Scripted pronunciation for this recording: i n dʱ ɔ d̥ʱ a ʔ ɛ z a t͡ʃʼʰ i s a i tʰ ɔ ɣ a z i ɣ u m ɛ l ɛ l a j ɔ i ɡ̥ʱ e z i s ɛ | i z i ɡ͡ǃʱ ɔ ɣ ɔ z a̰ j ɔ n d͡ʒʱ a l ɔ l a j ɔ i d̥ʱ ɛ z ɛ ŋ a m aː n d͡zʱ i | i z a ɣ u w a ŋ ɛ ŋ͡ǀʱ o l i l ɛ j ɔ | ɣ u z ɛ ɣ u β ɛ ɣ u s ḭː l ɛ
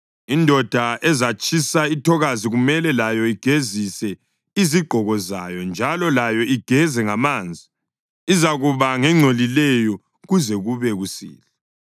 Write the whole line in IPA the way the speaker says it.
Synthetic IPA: i n dʱ ɔ d̥ʱ a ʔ ɛ z a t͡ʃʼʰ i s a i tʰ ɔ ɣ a z i ɣ u m ɛ l ɛ l a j ɔ i ɡ̥ʱ e z i s ɛ | i z i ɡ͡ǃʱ ɔ ɣ ɔ z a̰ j ɔ n d͡ʒʱ a l ɔ l a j ɔ i ɡ̥ʱ ɛ z ɛ ŋ a m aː n d͡zʱ i | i z a ɣ u β a ŋ ɛ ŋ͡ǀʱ o l i l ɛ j ɔ | ɣ u z ɛ ɣ u β ɛ ɣ u s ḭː l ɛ